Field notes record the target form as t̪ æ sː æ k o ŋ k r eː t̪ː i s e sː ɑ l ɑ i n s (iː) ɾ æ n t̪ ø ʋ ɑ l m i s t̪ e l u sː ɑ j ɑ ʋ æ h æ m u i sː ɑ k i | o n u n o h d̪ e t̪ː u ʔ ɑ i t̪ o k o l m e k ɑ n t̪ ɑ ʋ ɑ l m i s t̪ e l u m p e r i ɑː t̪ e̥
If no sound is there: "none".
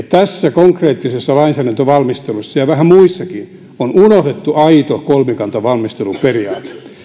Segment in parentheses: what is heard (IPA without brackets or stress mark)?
æː